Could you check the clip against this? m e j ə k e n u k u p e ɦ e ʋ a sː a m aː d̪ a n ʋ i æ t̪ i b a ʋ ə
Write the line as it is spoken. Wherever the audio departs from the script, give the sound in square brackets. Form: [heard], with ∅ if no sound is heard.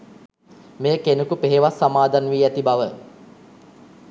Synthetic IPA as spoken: m e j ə k e n u k u p e ɦ e ʋ a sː a m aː d̪ a n ʋ [iː] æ t̪ i b a ʋ ə

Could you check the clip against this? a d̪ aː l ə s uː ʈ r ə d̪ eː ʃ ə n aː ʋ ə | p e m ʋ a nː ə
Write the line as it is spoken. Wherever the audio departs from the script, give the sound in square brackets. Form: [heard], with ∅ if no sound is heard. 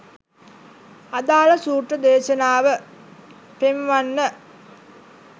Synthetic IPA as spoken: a d̪ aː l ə s uː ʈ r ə d̪ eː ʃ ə n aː ʋ ə | p e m ʋ a nː ə

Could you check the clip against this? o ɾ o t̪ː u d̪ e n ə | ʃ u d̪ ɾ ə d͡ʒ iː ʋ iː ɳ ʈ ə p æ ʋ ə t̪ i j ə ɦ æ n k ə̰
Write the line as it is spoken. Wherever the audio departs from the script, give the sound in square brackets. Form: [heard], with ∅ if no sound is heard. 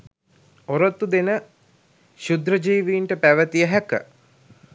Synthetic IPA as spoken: o ɾ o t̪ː u d̪ e n ə | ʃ u d̪ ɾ ə d͡ʒ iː ʋ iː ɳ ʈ ə p æ ʋ ə t̪ i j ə ɦ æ [∅] k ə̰

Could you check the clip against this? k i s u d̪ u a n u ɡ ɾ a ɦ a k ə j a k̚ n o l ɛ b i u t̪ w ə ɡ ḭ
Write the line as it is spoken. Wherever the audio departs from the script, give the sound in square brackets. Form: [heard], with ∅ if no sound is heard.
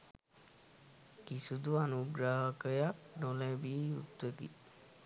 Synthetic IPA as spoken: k i s u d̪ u a n u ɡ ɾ a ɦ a k ə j a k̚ n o l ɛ b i u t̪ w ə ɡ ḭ

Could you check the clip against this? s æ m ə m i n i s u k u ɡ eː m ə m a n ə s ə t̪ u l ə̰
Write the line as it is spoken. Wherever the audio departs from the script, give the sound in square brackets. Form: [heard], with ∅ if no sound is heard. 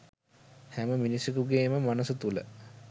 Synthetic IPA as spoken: [h] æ m ə m i n i s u k u ɡ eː m ə m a n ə s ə t̪ u l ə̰

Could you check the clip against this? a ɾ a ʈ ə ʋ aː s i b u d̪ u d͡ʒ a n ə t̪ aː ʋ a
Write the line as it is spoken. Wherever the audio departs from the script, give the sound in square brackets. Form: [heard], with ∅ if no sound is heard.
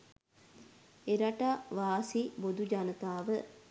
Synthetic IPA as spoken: [e] ɾ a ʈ [a] ʋ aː s i b [o] d̪ u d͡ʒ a n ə t̪ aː ʋ [ə]

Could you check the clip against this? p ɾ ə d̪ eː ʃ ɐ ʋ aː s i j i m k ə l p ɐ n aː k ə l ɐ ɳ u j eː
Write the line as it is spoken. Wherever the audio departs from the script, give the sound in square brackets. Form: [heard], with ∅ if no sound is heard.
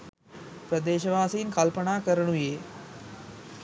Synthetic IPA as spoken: p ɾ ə d̪ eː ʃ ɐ ʋ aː s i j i [n] k [ɐ] l p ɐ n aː k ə [ɾ] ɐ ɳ u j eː

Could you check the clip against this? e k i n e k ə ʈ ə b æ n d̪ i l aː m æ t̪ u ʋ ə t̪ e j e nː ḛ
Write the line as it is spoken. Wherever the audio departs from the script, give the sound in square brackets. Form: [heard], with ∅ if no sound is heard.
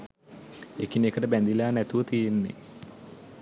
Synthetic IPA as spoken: e k i n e k ə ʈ ə b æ n d̪ i l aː [n] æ t̪ u ʋ ə t̪ [i] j e nː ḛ

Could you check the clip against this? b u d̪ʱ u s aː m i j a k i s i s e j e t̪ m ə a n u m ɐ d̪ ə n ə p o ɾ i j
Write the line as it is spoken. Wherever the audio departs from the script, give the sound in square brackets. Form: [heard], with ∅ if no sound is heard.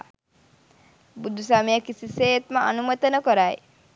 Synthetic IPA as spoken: b u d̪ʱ u s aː m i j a k i s i s e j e t̪ m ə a n u m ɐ [t̪] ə n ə [k] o ɾ [a] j

